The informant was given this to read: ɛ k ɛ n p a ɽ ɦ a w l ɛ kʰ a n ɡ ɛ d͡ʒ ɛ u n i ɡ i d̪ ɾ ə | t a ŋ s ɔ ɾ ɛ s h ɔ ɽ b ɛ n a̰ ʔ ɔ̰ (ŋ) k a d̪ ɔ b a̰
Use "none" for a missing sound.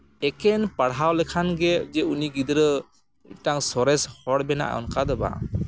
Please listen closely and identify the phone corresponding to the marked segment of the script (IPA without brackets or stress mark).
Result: n